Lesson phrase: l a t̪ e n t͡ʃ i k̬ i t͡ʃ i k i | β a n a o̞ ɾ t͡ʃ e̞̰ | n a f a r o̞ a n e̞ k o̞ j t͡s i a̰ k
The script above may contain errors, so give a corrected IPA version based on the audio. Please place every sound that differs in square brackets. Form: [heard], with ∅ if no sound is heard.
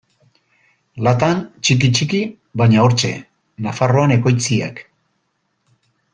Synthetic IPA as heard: l a t̪ [a] n t͡ʃ i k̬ i t͡ʃ i k i | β a [ɲ] a o̞ ɾ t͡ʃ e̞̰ | n a f a r o̞ a n e̞ k o̞ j t͡s i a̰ k